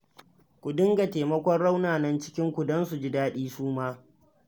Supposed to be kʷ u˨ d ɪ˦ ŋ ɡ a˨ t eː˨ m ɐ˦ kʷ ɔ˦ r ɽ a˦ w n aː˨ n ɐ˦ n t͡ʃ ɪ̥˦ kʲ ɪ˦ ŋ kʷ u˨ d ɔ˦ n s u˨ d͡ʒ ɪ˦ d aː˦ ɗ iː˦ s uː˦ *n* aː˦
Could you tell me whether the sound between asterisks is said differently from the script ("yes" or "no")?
yes